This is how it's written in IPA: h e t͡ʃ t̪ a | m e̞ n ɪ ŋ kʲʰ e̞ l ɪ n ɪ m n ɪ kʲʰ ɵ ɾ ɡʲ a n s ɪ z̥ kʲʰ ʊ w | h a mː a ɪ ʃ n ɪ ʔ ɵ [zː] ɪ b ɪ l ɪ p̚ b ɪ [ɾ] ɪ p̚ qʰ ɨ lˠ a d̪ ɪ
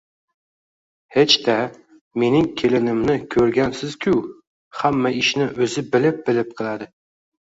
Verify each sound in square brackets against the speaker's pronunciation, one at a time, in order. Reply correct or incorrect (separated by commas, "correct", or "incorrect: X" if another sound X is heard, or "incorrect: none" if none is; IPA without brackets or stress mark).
incorrect: z, incorrect: l